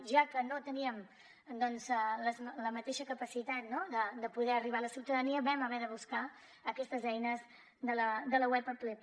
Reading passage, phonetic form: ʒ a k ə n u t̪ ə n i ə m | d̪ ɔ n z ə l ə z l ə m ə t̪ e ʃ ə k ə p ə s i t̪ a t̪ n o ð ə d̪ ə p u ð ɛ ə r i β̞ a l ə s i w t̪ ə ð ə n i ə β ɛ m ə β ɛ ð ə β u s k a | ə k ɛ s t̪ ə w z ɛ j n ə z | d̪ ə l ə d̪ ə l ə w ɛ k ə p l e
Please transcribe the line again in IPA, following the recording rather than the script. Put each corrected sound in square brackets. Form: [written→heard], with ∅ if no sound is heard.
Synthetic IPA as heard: ʒ a k ə n [u→o] t̪ ə n i ə m | d̪ ɔ n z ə l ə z l ə m ə t̪ e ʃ ə k ə p ə s i t̪ a t̪ n o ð ə d̪ ə p u ð ɛ ə r i β̞ a l ə s i w t̪ ə ð ə n i ə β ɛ m ə β ɛ ð ə β u s k a | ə k ɛ s t̪ ə [w→∅] z ɛ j n ə z | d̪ ə l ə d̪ ə l ə w ɛ [k→p] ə p l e